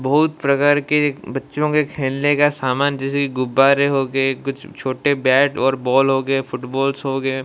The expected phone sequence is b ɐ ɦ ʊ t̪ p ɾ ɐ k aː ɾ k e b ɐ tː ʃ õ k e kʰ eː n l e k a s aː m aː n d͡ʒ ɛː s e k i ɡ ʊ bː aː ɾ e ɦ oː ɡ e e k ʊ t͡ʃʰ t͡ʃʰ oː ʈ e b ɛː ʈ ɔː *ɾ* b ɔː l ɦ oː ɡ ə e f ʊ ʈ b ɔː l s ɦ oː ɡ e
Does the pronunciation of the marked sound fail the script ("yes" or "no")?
no